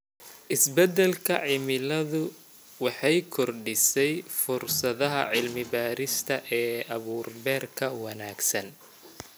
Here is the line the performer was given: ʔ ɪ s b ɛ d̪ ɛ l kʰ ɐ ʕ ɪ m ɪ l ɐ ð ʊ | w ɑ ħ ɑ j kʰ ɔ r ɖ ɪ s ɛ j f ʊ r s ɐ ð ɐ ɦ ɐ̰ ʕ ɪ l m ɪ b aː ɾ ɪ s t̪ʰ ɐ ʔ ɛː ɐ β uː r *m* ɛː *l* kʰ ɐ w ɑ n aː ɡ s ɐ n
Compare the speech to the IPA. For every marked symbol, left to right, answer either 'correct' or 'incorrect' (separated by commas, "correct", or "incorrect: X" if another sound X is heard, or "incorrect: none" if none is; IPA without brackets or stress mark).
incorrect: b, incorrect: r